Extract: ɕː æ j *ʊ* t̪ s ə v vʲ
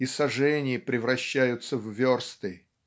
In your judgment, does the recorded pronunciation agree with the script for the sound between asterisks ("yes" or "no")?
yes